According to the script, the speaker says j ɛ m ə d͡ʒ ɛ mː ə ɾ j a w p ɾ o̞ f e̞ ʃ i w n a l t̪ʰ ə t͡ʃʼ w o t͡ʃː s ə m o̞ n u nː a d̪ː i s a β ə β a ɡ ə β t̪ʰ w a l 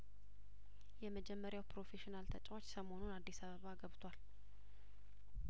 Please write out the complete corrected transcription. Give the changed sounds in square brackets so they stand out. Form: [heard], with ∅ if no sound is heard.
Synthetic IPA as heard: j ɛ m ə d͡ʒ ɛ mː ə ɾ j a w p ɾ o̞ f e̞ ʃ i [∅] n a l t̪ʰ ə t͡ʃʼ w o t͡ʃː s ə m o̞ n u [n] a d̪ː i s a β ə β a ɡ ə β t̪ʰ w a l